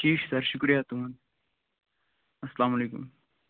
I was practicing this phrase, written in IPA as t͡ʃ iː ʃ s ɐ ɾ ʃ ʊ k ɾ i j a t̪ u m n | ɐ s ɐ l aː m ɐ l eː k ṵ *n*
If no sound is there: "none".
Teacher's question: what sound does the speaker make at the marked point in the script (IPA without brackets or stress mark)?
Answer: m